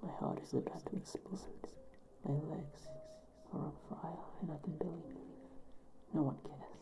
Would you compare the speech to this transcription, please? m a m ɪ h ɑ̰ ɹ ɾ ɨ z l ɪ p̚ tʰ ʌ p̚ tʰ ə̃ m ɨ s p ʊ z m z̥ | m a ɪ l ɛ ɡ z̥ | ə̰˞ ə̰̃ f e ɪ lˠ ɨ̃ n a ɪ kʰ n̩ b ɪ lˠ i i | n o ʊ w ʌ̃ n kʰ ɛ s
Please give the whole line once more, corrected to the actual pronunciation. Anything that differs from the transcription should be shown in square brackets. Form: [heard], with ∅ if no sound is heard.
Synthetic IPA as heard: m a [∅] ɪ h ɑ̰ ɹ ɾ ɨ z l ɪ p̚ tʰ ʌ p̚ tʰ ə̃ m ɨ s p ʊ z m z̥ | m a ɪ l ɛ ɡ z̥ | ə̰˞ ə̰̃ f [a] ɪ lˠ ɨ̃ n a ɪ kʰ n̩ b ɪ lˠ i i | n o ʊ w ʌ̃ n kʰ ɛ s